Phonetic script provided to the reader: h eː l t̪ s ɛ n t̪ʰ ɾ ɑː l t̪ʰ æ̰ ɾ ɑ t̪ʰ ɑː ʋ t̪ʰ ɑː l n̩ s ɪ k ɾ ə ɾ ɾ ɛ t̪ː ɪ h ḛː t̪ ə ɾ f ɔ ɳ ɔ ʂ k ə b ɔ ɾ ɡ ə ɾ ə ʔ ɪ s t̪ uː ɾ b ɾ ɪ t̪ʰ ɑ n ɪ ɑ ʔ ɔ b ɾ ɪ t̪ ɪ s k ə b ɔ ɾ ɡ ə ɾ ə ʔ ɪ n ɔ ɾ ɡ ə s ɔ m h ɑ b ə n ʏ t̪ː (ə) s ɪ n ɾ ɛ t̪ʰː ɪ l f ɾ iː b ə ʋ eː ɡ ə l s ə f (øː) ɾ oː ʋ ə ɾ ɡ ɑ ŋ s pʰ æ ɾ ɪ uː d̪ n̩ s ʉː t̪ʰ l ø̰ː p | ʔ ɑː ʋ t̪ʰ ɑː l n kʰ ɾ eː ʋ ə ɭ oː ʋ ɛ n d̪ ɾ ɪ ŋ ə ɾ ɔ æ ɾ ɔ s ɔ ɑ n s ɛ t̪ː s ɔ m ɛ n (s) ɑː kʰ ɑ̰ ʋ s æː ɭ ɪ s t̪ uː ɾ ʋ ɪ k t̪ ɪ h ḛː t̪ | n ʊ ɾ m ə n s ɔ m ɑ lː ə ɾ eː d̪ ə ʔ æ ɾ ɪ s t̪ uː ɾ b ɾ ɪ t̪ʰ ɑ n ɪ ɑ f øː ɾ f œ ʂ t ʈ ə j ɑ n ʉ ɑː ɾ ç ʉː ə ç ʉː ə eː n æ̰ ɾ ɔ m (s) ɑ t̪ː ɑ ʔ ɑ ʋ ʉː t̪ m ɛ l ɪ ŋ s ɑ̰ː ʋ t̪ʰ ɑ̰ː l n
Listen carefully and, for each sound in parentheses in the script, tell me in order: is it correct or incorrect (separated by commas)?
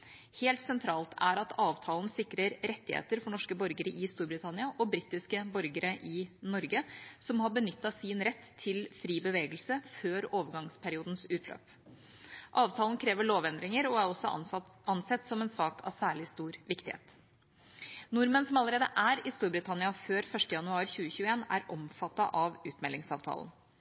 incorrect, correct, correct, incorrect